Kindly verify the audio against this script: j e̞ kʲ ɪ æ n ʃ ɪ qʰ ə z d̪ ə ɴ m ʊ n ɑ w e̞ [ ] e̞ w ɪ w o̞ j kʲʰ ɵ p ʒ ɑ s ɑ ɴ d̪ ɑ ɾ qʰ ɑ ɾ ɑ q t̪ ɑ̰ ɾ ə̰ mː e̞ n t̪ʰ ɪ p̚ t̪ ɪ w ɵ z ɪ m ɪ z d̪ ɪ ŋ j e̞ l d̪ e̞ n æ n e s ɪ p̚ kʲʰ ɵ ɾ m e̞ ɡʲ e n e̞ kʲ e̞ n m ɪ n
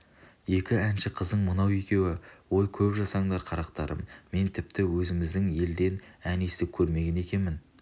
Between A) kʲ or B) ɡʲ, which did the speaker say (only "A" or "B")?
A